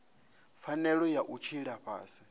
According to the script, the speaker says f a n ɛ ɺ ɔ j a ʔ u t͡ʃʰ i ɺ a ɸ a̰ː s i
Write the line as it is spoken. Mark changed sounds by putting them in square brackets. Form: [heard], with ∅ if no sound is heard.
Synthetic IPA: f a n ɛ ɺ ɔ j a ʔ u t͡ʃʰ i ɺ a ɸ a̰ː s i